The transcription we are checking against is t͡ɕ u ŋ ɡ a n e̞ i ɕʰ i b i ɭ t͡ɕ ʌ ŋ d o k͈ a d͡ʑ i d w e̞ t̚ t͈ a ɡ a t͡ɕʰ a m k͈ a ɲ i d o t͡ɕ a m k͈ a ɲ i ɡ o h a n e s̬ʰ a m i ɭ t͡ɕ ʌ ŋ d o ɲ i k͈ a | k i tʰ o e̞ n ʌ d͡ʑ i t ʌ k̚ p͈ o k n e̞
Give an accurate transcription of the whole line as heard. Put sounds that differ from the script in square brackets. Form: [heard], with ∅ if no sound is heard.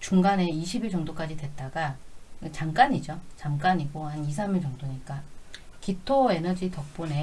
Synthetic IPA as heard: t͡ɕ u ŋ ɡ a n e̞ i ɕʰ i b i ɭ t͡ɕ ʌ ŋ d o k͈ a d͡ʑ i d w e̞ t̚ t͈ a ɡ a [t͡ɕ] a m k͈ a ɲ i [d͡ʑ] o t͡ɕ a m k͈ a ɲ i ɡ o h a n [i] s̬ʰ a m i ɭ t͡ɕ ʌ ŋ d o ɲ i k͈ a | k i tʰ o e̞ n ʌ d͡ʑ i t ʌ k̚ p͈ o [∅] n e̞